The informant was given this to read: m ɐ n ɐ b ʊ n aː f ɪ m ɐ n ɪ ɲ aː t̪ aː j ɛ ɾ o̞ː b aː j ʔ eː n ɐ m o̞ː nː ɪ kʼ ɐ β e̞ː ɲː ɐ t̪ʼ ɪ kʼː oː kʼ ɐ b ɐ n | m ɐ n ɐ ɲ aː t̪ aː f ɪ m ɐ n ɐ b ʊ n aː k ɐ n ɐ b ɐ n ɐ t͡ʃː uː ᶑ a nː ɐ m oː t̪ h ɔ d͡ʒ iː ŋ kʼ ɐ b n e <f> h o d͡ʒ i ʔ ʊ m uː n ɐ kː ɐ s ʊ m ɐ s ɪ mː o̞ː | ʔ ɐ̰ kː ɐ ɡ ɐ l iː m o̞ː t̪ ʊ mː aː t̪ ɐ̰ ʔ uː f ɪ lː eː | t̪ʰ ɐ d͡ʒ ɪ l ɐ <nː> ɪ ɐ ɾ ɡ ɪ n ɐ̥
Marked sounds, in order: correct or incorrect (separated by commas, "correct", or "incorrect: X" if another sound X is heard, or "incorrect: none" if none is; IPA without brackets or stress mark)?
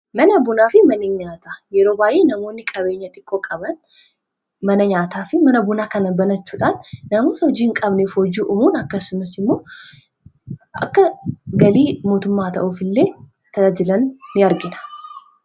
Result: correct, correct